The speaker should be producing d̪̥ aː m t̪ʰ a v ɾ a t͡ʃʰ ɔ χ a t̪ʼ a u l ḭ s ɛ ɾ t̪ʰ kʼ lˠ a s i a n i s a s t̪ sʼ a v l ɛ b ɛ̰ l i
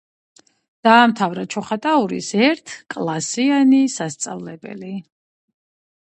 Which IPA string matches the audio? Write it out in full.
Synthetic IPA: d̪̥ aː m t̪ʰ a v ɾ a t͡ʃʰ ɔ χ a t̪ʼ a u ɾ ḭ s ɛ ɾ t̪ʰ kʼ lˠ a s i a n i s a s t̪ sʼ a v l ɛ b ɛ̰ l i